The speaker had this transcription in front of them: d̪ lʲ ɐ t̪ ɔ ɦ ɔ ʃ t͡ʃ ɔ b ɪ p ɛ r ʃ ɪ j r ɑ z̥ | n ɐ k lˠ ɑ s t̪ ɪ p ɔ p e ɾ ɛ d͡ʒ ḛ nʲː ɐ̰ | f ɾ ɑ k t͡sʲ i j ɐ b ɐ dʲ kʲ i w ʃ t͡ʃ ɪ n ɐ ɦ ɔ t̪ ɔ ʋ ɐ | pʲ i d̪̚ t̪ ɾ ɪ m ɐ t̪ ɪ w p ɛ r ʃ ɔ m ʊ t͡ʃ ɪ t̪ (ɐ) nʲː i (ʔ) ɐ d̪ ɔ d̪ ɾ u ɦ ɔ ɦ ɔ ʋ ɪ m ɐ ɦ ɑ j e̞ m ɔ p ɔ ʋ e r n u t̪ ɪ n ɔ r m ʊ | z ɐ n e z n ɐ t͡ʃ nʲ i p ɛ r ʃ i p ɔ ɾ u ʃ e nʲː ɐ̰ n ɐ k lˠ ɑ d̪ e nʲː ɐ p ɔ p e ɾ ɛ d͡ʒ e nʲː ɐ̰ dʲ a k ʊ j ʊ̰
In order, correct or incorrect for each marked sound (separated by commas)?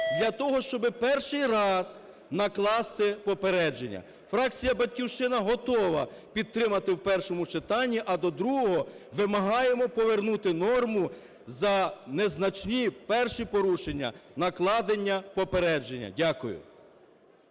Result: incorrect, correct